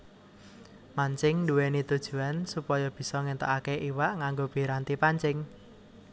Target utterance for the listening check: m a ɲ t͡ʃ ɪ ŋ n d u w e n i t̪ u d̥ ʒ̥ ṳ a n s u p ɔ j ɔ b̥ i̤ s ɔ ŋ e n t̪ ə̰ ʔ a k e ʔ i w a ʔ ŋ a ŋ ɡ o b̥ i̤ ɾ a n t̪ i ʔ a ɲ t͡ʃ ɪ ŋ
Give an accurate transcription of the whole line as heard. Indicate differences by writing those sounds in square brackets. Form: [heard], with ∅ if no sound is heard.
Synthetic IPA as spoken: m a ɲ t͡ʃ ɪ ŋ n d u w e n i t̪ u d̥ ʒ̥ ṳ a n s u p ɔ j ɔ b̥ i̤ s ɔ ŋ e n t̪ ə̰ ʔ a k e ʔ i w a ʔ ŋ a ŋ ɡ o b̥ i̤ ɾ a n t̪ i [p] a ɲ t͡ʃ ɪ ŋ